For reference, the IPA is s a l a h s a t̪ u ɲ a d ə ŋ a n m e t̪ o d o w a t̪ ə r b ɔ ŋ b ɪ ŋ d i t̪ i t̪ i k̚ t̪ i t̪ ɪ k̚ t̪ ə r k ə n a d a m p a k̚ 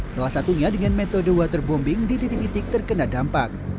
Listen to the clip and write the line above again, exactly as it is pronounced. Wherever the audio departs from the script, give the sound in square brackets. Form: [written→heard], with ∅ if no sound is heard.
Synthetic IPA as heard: s a l a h s a t̪ u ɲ a d ə ŋ a n m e t̪ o d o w a t̪ ə r b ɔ [ŋ→m] b ɪ ŋ d i t̪ i t̪ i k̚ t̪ i t̪ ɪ k̚ t̪ ə r k ə n a d a m p a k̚